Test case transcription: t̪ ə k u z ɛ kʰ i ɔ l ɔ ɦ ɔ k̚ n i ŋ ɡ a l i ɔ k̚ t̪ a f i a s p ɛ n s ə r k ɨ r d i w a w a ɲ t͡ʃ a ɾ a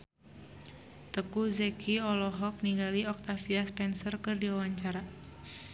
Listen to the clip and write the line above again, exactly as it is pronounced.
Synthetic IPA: t̪ ə k u z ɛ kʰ i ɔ l ɔ ɦ ɔ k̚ n i ŋ ɡ a l i ɔ k̚ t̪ a f i a s p ɛ n s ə r k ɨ r d i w a w a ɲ t͡ʃ a ɾ a